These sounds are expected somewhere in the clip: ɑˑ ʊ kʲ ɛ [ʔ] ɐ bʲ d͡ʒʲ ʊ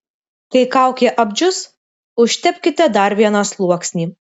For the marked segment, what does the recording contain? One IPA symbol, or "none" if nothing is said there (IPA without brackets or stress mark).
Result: ʔ